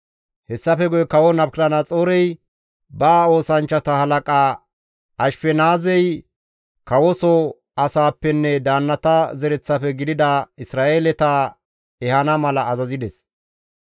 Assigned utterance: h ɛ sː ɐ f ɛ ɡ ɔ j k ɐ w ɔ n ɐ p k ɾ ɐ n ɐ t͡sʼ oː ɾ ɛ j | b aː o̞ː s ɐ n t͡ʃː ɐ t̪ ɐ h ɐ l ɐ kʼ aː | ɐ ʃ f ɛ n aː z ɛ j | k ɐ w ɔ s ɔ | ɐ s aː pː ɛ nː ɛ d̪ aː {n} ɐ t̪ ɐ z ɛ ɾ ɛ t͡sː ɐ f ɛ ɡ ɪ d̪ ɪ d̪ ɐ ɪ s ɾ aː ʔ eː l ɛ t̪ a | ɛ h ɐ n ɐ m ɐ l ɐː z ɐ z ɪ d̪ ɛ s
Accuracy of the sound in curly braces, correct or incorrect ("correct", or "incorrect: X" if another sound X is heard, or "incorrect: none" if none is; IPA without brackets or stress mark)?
incorrect: nː